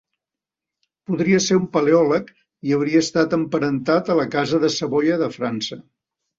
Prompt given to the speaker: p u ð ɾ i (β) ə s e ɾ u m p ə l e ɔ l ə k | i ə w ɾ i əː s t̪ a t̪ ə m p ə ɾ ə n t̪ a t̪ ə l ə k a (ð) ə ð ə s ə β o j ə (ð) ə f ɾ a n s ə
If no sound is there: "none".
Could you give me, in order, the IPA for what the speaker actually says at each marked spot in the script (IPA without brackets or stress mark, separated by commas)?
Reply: none, z, ð